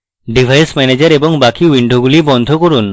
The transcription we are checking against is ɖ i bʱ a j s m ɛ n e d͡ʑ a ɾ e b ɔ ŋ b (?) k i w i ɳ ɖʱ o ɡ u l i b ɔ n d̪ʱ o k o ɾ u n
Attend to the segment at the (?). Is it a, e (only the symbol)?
a